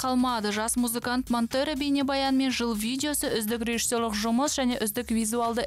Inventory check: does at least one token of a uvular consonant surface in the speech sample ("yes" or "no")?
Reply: yes